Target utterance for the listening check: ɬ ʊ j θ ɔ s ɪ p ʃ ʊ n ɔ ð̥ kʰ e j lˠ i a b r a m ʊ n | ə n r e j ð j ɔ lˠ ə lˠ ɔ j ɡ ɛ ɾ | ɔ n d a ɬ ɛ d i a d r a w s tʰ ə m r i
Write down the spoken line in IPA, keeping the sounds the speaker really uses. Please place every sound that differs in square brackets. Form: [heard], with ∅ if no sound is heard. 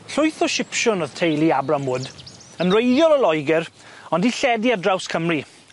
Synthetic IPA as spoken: ɬ ʊ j θ ɔ [ʃ] ɪ p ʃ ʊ n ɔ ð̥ [tʰ] e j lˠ i a b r a m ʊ [d] | ə n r e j ð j ɔ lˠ ə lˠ ɔ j ɡ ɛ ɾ | ɔ n d [i] ɬ ɛ d i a d r a w s [kʰ] ə m r i